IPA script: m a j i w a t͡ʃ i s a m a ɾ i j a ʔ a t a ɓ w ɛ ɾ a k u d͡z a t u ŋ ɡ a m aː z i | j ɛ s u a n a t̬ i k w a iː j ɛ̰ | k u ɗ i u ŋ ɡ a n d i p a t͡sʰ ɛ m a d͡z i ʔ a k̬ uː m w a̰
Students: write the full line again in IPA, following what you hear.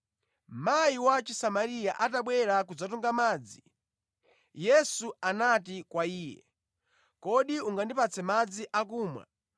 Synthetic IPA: m a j i w a t͡ʃ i s a m a ɾ i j a ʔ a t a ɓ w ɛ ɾ a k u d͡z a t u ŋ ɡ a m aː d͡z i | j ɛ s u a n a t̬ i k w a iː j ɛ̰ | k ɔ ɗ i u ŋ ɡ a n d i p a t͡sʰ ɛ m a d͡z i ʔ a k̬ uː m w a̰